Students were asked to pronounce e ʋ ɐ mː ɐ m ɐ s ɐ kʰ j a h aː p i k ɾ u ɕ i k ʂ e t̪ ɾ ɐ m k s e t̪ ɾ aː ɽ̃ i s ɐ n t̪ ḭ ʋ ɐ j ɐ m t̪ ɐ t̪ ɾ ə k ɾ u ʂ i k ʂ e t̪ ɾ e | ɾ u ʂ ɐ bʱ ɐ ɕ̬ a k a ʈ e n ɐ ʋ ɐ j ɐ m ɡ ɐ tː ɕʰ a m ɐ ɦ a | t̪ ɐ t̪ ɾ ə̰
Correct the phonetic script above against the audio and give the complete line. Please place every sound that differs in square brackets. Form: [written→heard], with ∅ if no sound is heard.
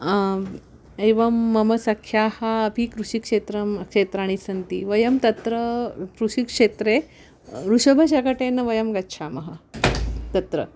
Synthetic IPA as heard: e ʋ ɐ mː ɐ m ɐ s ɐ kʰ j a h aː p i k ɾ u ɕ i k ʂ e t̪ ɾ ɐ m k [s→ʂ] e t̪ ɾ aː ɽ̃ i s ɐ n t̪ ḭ ʋ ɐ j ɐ m t̪ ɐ t̪ ɾ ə k ɾ u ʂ i k ʂ e t̪ ɾ e | ɾ u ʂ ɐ bʱ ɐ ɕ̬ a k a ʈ e n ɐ ʋ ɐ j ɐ m ɡ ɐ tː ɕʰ a m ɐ ɦ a | t̪ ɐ t̪ ɾ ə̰